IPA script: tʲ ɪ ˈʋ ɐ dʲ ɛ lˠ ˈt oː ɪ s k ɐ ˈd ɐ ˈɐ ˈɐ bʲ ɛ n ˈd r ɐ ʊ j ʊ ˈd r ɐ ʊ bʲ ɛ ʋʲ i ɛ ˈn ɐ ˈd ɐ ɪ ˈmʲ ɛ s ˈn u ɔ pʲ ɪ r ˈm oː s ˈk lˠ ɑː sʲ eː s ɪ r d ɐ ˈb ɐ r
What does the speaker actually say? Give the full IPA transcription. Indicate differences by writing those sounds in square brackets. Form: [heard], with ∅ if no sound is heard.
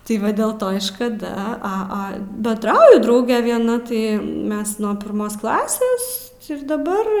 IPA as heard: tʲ ɪ ˈʋ ɐ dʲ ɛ lˠ ˈt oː ɪ [ʃ] k ɐ ˈd ɐ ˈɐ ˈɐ bʲ ɛ n ˈd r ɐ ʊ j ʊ ˈd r ɐ ʊ [ɡʲ] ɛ ʋʲ i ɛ ˈn ɐ [ˈt] ɐ ɪ ˈmʲ ɛ s ˈn u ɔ pʲ ɪ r ˈm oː s ˈk lˠ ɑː sʲ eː s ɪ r d ɐ ˈb ɐ r

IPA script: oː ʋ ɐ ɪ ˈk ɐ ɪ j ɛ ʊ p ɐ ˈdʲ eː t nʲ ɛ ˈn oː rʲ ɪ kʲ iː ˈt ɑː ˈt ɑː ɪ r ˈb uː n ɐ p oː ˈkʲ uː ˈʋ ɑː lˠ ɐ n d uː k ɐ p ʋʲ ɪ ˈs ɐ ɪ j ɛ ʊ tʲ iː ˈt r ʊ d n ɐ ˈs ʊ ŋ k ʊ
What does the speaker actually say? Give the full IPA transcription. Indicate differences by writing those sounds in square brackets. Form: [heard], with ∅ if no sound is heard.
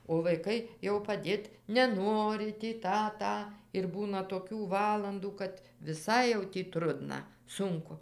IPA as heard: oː ʋ ɐ ɪ ˈk ɐ ɪ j ɛ ʊ p ɐ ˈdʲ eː t nʲ ɛ ˈn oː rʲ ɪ [tʲ] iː ˈt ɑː ˈt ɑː ɪ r ˈb uː n ɐ [t] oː ˈkʲ uː ˈʋ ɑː lˠ ɐ n d uː k ɐ [t] ʋʲ ɪ ˈs ɐ ɪ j ɛ ʊ tʲ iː ˈt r ʊ d n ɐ ˈs ʊ ŋ k ʊ

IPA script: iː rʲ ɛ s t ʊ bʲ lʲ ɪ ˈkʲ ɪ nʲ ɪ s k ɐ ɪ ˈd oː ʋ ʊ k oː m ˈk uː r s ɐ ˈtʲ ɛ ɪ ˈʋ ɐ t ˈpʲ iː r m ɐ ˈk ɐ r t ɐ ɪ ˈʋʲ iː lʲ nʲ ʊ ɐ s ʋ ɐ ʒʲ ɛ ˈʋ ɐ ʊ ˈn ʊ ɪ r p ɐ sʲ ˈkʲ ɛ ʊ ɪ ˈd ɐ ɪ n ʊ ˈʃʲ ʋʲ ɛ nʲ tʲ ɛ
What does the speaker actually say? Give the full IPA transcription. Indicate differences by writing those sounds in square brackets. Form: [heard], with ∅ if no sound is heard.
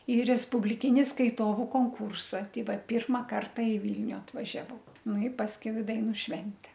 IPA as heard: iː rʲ ɛ s [p] ʊ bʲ lʲ ɪ ˈkʲ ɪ nʲ ɪ s k ɐ ɪ [ˈt] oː ʋ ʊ k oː [ŋ] ˈk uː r s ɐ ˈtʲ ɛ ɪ ˈʋ ɐ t ˈpʲ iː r m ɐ ˈk ɐ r t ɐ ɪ ˈʋʲ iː lʲ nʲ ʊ ɐ [t] ʋ ɐ ʒʲ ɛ ˈʋ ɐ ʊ ˈn ʊ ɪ [∅] p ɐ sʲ ˈkʲ ɛ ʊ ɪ ˈd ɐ ɪ n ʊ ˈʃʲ ʋʲ ɛ nʲ tʲ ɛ

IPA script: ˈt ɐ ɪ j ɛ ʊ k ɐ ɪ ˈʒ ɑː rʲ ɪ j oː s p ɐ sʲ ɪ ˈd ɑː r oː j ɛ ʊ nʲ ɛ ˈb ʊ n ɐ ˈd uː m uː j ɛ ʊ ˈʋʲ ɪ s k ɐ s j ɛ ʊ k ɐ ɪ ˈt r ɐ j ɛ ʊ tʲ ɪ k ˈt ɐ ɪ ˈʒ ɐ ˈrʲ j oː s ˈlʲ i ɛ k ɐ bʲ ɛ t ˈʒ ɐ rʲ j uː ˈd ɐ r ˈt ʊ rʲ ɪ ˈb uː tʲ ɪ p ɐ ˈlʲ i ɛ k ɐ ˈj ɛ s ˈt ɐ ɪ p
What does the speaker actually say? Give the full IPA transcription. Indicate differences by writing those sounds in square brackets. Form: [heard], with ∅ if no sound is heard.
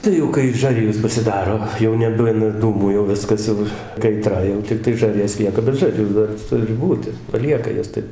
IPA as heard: ˈt ɐ ɪ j ɛ ʊ k ɐ ɪ ˈʒ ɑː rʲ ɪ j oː s p ɐ sʲ ɪ ˈd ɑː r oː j ɛ ʊ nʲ ɛ ˈb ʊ n ɐ ˈd uː m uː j ɛ ʊ ˈʋʲ ɪ s k ɐ s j ɛ ʊ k ɐ ɪ ˈt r ɐ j ɛ ʊ tʲ ɪ k ˈt ɐ ɪ ˈʒ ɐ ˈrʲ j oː s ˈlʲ i ɛ k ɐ bʲ ɛ t ˈʒ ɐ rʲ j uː ˈd ɐ r ˈt ʊ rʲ ɪ ˈb uː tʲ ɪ p ɐ ˈlʲ i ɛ k ɐ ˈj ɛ s ˈt ɐ ɪ p

